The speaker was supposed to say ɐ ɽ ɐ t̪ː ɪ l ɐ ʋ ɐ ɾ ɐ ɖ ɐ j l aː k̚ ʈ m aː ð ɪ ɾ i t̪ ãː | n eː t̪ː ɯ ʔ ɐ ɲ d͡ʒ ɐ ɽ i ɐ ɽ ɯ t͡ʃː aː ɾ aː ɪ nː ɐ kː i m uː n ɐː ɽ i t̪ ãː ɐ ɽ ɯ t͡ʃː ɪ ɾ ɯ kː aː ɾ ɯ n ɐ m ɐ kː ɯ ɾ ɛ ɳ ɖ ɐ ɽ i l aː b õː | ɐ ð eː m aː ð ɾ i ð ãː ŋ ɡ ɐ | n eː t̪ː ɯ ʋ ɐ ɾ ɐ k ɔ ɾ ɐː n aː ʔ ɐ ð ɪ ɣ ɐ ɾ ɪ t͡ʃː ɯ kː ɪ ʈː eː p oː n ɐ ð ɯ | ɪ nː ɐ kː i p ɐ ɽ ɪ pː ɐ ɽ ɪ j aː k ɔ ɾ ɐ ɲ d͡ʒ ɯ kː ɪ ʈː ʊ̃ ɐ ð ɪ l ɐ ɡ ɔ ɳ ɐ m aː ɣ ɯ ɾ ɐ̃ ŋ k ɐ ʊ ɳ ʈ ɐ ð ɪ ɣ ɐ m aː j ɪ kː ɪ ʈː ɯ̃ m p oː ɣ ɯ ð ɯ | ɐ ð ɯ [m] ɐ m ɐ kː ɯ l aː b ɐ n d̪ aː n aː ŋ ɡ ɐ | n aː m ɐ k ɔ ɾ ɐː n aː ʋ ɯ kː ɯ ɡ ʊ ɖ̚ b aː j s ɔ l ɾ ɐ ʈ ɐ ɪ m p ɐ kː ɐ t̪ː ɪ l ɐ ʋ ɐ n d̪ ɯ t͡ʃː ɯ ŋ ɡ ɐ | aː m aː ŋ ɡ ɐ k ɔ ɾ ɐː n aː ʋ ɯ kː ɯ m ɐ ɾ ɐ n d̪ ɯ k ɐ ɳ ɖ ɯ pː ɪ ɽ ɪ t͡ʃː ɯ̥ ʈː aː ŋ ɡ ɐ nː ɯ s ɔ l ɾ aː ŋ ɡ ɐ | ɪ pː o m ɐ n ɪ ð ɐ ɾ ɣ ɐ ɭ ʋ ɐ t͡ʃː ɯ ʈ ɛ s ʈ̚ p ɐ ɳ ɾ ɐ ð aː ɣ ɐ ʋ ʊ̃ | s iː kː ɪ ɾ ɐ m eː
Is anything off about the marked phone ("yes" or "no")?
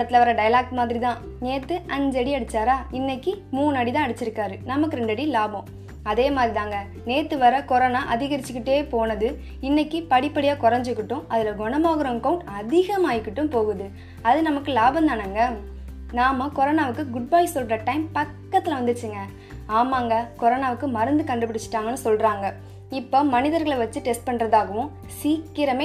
yes